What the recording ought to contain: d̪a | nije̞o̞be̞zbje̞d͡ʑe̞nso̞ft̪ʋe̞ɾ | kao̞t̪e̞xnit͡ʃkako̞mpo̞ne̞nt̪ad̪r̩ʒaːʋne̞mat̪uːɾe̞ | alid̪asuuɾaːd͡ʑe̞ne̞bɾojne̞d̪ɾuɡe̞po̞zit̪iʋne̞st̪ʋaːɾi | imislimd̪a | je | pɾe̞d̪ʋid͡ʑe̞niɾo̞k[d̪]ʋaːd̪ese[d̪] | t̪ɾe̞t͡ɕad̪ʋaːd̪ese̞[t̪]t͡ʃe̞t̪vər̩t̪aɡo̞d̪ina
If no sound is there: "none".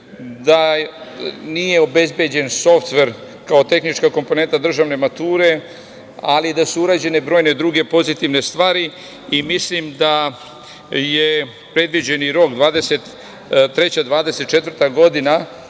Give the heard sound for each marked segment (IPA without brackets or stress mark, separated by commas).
d̪, t̪, t̪